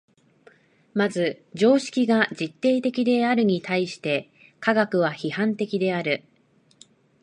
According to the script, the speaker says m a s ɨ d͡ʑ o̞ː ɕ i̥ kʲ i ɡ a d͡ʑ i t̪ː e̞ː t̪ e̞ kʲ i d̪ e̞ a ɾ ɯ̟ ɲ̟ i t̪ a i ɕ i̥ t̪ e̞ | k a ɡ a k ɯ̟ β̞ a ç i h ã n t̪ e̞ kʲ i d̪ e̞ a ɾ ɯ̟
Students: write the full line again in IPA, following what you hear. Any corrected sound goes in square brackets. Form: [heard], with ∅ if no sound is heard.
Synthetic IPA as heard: m a [z] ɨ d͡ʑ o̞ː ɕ i̥ kʲ i ɡ a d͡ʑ i t̪ː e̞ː t̪ e̞ kʲ i d̪ e̞ a ɾ ɯ̟ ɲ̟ i t̪ a i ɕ i̥ t̪ e̞ | k a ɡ a k ɯ̟ β̞ a ç i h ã n t̪ e̞ kʲ i d̪ e̞ a ɾ ɯ̟